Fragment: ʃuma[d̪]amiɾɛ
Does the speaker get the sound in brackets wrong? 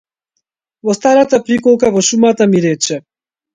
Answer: yes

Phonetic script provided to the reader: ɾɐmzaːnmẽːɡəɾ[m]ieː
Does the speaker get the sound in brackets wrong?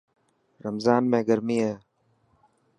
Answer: no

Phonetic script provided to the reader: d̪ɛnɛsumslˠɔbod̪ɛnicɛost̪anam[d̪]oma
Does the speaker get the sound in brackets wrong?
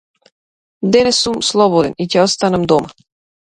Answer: no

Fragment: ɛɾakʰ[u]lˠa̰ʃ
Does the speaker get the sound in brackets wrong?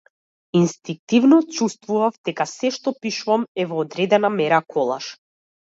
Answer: yes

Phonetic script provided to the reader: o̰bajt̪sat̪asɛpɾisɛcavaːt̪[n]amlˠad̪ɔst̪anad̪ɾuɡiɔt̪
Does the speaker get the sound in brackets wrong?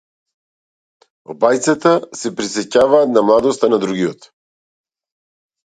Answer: no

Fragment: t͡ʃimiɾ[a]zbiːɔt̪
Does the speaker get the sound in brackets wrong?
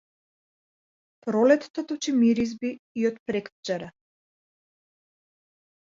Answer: yes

